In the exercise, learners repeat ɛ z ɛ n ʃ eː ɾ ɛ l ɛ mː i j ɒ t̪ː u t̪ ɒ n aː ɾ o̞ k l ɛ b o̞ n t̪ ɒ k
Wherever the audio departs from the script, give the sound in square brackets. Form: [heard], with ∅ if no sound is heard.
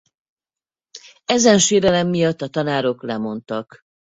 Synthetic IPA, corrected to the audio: ɛ z ɛ n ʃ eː ɾ ɛ l ɛ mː i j ɒ t̪ː [ɒ] t̪ ɒ n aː ɾ o̞ k l ɛ [m] o̞ n t̪ ɒ k

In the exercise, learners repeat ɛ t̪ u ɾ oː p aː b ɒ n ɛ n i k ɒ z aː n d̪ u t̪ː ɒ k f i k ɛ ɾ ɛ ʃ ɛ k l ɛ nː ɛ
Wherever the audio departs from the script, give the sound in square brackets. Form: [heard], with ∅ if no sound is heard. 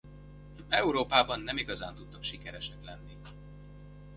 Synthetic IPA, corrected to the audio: ɛ [∅] u ɾ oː p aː b ɒ [nː] ɛ [m] i [ɡ] ɒ z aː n [t̪] u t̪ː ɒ k [ʃ] i k ɛ ɾ ɛ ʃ ɛ k l ɛ nː [i]

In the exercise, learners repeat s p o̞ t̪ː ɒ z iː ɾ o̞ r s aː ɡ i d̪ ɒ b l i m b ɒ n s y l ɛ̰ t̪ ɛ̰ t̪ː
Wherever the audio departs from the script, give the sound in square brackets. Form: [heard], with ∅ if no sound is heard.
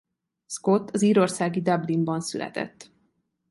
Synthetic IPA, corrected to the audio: s [k] o̞ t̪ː ɒ z iː ɾ o̞ r s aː ɡ i d̪ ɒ b l i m b ɒ n s y l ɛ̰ t̪ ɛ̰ t̪ː

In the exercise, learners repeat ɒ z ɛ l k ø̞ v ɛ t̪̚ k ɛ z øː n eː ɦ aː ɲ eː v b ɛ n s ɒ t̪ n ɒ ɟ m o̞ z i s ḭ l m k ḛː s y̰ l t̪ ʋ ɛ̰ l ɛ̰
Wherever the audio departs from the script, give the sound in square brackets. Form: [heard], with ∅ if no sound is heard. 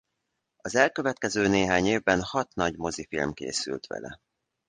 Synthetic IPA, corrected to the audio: ɒ z ɛ l k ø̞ v ɛ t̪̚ k ɛ z øː n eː ɦ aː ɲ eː v b ɛ n [h] ɒ t̪ n ɒ ɟ m o̞ z i [f] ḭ l m k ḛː s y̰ l t̪ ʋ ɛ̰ l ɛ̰

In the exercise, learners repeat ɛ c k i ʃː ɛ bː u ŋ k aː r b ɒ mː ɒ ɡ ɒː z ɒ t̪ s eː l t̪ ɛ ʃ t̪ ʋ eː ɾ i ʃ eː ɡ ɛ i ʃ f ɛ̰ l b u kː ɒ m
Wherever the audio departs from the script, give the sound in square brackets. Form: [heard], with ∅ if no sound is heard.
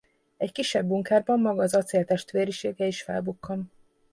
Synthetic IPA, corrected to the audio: ɛ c k i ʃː ɛ bː u ŋ k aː r b ɒ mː ɒ ɡ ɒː z ɒ t̪ s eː l t̪ ɛ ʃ t̪ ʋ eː ɾ i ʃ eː ɡ ɛ i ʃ f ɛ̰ l b u kː ɒ m

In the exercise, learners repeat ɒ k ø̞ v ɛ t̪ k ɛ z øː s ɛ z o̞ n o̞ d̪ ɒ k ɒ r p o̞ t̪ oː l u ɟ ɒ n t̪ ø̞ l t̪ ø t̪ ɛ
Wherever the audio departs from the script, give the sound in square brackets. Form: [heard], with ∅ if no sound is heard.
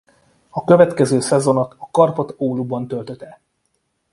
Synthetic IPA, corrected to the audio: ɒ k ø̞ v ɛ t̪ k ɛ z øː s ɛ z o̞ n o̞ [t̪] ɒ k ɒ r p o̞ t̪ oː l u [b] ɒ n t̪ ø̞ l t̪ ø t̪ ɛ

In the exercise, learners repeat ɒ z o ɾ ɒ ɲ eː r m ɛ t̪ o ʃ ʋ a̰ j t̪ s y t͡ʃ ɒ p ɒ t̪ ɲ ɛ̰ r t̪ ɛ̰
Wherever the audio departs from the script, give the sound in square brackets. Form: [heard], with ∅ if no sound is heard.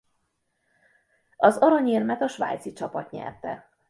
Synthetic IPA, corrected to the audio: ɒ z [ɒ] ɾ ɒ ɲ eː r m ɛ t̪ [ɒ] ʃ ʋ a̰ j t̪ s [i] t͡ʃ ɒ p ɒ t̪ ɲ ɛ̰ r t̪ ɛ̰

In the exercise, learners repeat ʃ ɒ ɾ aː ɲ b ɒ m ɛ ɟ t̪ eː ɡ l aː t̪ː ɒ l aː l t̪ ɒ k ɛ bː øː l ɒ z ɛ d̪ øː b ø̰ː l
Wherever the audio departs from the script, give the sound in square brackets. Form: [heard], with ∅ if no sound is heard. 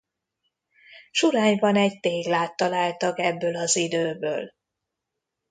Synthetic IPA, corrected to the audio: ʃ [u] ɾ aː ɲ b ɒ [n] ɛ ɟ t̪ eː ɡ l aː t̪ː ɒ l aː l t̪ ɒ k ɛ bː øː l ɒ z [i] d̪ øː b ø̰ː l

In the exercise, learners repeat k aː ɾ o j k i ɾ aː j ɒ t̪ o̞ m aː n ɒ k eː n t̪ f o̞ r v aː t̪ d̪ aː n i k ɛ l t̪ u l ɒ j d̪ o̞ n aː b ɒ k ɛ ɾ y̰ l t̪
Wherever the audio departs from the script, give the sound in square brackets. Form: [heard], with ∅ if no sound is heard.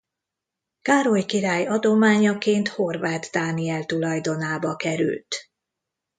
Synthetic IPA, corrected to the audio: k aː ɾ o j k i ɾ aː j ɒ [d̪] o̞ m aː [ɲ] ɒ k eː n t̪ [h] o̞ r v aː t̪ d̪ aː n i [∅] ɛ l t̪ u l ɒ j d̪ o̞ n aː b ɒ k ɛ ɾ y̰ l t̪

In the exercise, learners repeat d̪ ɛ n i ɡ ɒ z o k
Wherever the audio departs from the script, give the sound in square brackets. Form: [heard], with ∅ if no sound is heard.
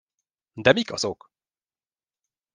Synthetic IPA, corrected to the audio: d̪ ɛ [m] i [k] ɒ z o k

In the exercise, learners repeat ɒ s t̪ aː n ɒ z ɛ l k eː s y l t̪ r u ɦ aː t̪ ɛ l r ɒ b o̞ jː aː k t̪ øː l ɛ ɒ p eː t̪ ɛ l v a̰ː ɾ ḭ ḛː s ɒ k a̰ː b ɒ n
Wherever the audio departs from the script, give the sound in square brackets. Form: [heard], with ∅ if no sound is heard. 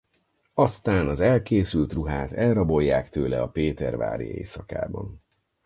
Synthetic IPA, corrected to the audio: ɒ s t̪ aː n ɒ z ɛ l k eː s y l t̪ r u ɦ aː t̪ ɛ l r ɒ b o̞ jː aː k t̪ øː l ɛ ɒ p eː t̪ ɛ [r] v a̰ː ɾ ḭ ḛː s ɒ k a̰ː b ɒ n

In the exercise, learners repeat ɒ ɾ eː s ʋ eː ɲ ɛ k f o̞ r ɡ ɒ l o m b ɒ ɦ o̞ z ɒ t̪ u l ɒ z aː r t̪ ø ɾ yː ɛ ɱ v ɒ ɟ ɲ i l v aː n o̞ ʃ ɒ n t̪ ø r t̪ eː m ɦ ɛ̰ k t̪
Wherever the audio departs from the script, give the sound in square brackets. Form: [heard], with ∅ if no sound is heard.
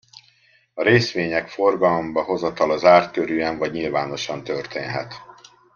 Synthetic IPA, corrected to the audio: ɒ ɾ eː s ʋ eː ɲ ɛ k f o̞ r ɡ ɒ l o m b ɒ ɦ o̞ z ɒ t̪ [ɒ] l ɒ z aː r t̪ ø ɾ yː ɛ ɱ v ɒ ɟ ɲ i l v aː n o̞ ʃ ɒ n t̪ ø r t̪ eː [n] ɦ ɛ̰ [∅] t̪

